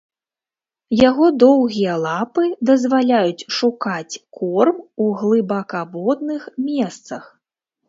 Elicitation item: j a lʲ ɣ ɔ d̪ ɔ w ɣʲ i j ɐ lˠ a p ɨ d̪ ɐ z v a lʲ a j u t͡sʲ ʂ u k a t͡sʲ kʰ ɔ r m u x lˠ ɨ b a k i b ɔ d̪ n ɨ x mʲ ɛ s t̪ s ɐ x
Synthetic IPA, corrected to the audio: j a ɣ ɔ d̪ ɔ w ɣʲ i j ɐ lˠ a p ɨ d̪ ɐ z v a lʲ a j u t͡sʲ ʂ u k a t͡sʲ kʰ ɔ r m u ɣ lˠ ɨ b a k a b ɔ d̪ n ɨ x mʲ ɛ s t̪ s ɐ x